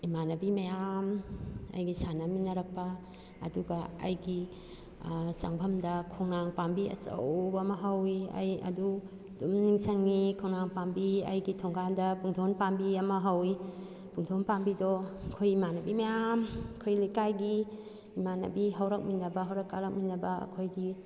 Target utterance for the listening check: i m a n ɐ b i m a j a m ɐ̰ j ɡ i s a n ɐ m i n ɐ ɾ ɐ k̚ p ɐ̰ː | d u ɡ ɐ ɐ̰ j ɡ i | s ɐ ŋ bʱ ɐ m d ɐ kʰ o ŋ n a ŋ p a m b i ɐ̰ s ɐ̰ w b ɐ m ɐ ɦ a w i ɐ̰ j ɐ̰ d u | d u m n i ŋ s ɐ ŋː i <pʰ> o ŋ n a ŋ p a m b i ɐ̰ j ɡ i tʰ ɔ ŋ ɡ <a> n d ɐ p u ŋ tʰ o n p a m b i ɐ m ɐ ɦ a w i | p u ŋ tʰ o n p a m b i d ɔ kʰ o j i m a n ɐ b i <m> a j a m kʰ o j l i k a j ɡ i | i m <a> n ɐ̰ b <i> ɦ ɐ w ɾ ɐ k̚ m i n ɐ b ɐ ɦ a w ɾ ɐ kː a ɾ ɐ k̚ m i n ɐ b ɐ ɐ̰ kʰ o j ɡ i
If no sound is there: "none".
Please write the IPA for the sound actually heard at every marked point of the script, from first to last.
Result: kʰ, a, m, a, i

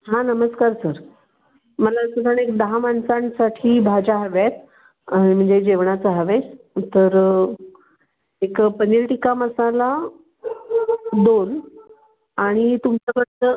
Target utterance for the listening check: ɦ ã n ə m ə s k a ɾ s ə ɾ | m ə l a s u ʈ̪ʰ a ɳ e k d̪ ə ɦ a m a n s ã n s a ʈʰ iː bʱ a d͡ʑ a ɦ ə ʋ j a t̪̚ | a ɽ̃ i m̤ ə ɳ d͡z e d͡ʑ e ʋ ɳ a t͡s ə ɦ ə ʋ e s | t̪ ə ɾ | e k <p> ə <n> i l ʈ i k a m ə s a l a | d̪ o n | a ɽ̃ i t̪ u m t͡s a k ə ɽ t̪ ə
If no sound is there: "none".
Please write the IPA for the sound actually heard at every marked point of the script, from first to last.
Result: p, n

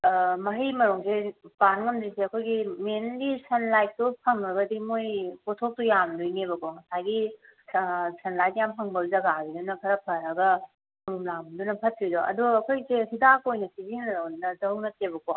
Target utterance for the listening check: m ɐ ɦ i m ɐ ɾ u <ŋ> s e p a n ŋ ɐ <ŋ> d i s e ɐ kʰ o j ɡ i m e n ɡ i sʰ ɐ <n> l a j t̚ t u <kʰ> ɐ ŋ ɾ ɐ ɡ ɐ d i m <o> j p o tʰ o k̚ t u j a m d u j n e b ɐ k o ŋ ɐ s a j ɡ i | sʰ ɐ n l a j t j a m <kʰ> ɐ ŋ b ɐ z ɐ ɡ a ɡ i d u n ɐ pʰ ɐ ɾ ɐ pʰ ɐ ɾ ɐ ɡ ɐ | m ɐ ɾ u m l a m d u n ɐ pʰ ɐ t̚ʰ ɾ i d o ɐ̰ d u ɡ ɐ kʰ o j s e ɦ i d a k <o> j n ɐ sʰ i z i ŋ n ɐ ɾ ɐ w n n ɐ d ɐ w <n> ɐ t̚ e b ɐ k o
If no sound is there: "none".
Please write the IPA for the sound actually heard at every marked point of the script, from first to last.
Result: ŋ, m, n, pʰ, o, pʰ, o, n

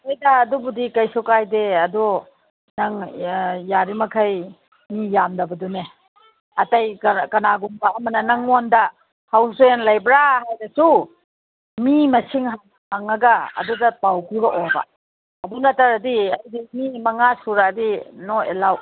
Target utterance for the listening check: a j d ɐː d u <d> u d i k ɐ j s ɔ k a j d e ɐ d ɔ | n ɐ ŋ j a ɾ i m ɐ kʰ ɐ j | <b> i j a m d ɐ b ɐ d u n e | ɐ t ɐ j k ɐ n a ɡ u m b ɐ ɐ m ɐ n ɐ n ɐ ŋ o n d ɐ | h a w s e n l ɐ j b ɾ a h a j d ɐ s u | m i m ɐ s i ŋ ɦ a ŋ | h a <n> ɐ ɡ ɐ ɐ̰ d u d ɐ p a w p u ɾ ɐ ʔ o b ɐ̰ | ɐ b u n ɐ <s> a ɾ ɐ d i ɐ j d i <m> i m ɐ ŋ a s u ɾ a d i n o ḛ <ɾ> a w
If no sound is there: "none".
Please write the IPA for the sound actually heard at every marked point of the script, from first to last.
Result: b, m, ŋ, t, m, l

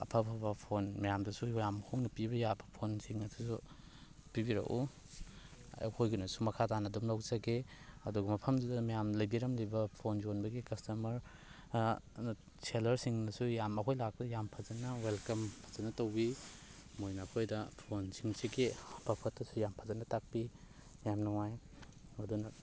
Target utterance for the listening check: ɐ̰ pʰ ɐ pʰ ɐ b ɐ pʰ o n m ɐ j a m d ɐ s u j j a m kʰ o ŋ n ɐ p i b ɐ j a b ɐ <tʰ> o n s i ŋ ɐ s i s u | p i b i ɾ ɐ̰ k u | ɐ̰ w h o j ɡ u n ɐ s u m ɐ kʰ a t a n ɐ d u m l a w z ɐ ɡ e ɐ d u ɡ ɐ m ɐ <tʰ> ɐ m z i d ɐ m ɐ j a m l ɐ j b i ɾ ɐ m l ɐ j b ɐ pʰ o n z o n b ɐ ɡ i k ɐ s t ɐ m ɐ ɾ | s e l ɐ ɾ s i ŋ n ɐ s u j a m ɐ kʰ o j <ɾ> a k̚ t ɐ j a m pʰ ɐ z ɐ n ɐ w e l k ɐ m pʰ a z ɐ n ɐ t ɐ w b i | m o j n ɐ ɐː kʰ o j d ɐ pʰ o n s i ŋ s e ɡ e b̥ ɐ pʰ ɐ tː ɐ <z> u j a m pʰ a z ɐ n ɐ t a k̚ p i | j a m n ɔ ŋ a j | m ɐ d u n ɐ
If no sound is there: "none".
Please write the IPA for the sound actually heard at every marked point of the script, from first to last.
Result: pʰ, pʰ, l, s

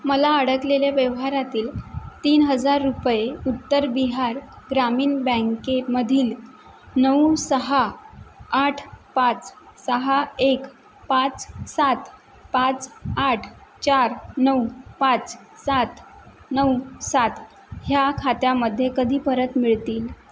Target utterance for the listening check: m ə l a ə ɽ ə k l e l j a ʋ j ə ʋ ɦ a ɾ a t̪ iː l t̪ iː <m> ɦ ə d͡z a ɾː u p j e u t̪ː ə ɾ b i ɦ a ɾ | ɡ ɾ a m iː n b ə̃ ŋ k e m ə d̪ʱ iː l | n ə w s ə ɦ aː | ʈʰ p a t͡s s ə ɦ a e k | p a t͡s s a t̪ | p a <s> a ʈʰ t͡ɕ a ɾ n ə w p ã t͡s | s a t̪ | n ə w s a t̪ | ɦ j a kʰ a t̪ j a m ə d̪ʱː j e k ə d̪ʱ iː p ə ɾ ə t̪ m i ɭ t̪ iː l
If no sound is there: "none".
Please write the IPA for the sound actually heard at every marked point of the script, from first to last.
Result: n, t͡s

